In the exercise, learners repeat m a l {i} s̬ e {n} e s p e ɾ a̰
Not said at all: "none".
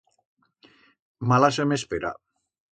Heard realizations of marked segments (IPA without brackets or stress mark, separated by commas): a, m